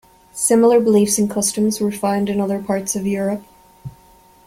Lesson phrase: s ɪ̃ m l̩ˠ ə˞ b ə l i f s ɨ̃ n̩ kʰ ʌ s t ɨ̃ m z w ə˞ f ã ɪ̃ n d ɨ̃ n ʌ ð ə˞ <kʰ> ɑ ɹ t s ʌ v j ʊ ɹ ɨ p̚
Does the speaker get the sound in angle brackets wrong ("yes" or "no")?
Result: yes